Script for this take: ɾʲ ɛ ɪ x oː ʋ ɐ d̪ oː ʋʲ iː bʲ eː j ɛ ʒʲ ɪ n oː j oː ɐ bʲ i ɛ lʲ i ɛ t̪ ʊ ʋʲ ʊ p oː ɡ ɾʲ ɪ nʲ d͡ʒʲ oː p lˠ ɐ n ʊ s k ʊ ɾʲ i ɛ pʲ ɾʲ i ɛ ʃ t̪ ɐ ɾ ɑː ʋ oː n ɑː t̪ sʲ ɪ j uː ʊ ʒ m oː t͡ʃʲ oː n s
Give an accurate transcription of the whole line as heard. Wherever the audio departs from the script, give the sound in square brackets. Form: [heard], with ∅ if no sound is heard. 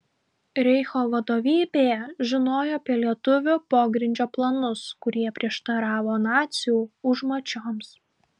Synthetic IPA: ɾʲ ɛ ɪ x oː ʋ ɐ d̪ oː ʋʲ iː bʲ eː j ɛ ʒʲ ɪ n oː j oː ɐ [pʲ] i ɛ lʲ i ɛ t̪ ʊ ʋʲ ʊ p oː ɡ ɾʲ ɪ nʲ d͡ʒʲ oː p lˠ ɐ n ʊ s k ʊ ɾʲ i ɛ pʲ ɾʲ i ɛ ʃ t̪ ɐ ɾ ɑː ʋ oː n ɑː t̪ sʲ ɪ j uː ʊ ʒ m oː t͡ʃʲ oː [m] s

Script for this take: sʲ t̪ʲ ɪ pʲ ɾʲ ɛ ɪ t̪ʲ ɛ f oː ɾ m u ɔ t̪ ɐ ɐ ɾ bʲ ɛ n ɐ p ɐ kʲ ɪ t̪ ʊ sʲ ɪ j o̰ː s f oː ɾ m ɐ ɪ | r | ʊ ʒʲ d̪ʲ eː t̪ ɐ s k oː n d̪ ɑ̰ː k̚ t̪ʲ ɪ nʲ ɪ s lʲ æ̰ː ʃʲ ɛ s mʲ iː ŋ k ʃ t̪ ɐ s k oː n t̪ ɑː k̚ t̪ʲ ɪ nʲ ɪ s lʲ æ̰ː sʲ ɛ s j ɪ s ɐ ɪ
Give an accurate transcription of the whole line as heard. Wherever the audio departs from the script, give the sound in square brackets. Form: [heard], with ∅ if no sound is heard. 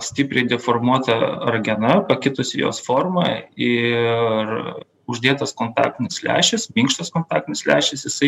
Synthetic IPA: sʲ t̪ʲ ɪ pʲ ɾʲ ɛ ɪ [d̪ʲ] ɛ f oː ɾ m u ɔ t̪ ɐ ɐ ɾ [ɡʲ] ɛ n ɐ p ɐ kʲ ɪ t̪ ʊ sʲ ɪ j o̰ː s f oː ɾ m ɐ ɪ | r | ʊ ʒʲ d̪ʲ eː t̪ ɐ s k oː n [t̪] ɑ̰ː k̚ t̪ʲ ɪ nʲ ɪ s lʲ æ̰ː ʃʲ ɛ s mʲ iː ŋ k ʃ t̪ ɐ s k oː n t̪ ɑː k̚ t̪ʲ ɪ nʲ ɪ s lʲ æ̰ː [ʃʲ] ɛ s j ɪ s ɐ ɪ

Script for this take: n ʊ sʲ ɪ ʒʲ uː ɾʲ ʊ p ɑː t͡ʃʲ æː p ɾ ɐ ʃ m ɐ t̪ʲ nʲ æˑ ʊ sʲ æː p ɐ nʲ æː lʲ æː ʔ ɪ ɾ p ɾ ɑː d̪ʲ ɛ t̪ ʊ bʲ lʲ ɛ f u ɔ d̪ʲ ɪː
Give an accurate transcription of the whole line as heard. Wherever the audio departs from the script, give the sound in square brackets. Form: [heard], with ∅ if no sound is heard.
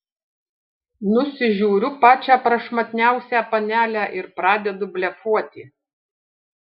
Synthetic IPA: n ʊ sʲ ɪ ʒʲ uː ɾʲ ʊ p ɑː t͡ʃʲ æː p ɾ ɐ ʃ m ɐ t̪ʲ nʲ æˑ ʊ sʲ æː p ɐ nʲ æː lʲ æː ʔ ɪ ɾ p ɾ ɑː d̪ʲ ɛ [d̪] ʊ bʲ lʲ ɛ f u ɔ [t̪ʲ] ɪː

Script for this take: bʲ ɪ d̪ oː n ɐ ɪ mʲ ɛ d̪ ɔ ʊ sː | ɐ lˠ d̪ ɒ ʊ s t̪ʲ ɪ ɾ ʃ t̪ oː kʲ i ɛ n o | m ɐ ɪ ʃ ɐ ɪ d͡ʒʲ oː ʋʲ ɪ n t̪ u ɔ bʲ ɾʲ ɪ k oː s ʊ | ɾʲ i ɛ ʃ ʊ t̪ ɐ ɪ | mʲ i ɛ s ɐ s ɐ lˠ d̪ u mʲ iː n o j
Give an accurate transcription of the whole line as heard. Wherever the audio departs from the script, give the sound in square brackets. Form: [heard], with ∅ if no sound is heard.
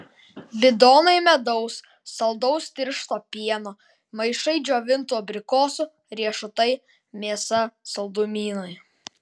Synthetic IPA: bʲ ɪ d̪ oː n ɐ ɪ mʲ ɛ d̪ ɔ ʊ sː | ɐ lˠ d̪ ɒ ʊ s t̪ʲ ɪ ɾ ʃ t̪ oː [pʲ] i ɛ n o | m ɐ ɪ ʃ ɐ ɪ d͡ʒʲ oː ʋʲ ɪ n t̪ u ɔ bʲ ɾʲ ɪ k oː s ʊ | ɾʲ i ɛ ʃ ʊ t̪ ɐ ɪ | mʲ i ɛ s ɐ s ɐ lˠ d̪ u mʲ iː n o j

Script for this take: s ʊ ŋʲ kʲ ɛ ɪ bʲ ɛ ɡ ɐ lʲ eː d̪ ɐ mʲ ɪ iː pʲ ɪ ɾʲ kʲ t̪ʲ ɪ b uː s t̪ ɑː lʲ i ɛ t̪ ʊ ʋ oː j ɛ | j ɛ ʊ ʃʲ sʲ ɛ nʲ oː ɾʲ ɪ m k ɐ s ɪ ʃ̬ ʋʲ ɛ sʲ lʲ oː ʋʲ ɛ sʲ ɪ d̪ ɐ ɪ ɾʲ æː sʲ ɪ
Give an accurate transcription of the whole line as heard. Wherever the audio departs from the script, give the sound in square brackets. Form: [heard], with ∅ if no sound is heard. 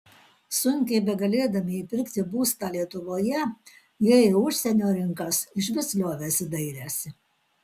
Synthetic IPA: s ʊ ŋʲ kʲ ɛ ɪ bʲ ɛ ɡ ɐ lʲ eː d̪ ɐ mʲ ɪ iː pʲ ɪ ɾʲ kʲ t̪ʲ ɪ b uː s t̪ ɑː lʲ i ɛ t̪ ʊ ʋ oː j ɛ | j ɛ ʊ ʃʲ sʲ ɛ nʲ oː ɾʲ ɪ [ŋ] k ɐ s ɪ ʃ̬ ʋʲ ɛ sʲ lʲ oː ʋʲ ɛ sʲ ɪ d̪ ɐ ɪ ɾʲ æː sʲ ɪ

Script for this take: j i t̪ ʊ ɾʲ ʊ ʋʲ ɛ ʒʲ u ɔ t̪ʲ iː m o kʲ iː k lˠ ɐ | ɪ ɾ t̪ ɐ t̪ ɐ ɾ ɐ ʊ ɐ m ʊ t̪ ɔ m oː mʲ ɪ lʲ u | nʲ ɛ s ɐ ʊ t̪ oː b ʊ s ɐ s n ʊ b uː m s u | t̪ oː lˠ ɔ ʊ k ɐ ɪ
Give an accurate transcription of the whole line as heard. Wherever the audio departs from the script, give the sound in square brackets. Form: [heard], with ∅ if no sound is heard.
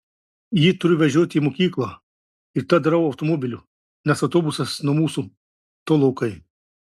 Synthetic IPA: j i t̪ ʊ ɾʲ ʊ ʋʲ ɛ ʒʲ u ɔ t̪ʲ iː m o kʲ iː k lˠ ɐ | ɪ ɾ t̪ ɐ [d̪] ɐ ɾ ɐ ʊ ɐ [∅] ʊ t̪ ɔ m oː [bʲ] ɪ lʲ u | nʲ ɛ s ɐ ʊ t̪ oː b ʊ s ɐ s n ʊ [m] uː [∅] s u | t̪ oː lˠ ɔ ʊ k ɐ ɪ

